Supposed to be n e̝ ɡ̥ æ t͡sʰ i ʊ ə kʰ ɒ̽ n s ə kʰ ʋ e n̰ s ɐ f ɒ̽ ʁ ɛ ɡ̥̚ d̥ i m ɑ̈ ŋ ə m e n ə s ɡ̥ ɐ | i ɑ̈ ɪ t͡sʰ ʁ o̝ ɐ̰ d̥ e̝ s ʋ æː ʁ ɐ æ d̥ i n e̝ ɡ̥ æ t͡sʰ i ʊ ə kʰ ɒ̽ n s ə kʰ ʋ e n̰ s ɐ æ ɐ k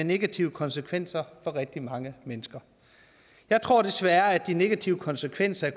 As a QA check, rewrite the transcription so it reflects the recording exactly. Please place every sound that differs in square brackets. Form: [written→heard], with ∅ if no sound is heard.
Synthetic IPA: n e̝ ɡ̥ æ t͡sʰ i ʊ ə kʰ ɒ̽ n s ə kʰ ʋ e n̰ s ɐ f ɒ̽ ʁ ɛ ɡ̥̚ d̥ i m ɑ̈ ŋ ə m e n ə s ɡ̥ ɐ | [i→j] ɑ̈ ɪ t͡sʰ ʁ o̝ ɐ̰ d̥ e̝ s ʋ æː [ʁ→∅] ɐ æ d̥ i n e̝ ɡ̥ æ t͡sʰ i ʊ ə kʰ ɒ̽ n s ə kʰ ʋ e n̰ s ɐ æ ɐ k